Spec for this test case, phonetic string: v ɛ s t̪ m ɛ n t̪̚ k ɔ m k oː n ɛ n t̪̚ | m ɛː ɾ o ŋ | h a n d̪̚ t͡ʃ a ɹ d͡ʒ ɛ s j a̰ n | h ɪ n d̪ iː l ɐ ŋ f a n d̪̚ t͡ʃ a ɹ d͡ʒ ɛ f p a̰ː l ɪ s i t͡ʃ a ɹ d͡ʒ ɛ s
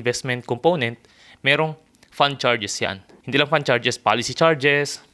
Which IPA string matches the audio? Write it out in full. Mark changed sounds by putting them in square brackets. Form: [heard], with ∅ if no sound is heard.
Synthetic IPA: v ɛ s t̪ m ɛ n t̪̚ k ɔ m [p] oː n ɛ n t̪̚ | m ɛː ɾ o ŋ | [f] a n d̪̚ t͡ʃ a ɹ d͡ʒ ɛ s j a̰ n | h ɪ n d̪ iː l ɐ ŋ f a n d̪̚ t͡ʃ a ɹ d͡ʒ ɛ [s] p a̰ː l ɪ s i t͡ʃ a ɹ d͡ʒ ɛ s